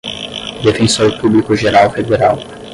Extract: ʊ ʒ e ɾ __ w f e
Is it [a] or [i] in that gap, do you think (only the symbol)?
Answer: a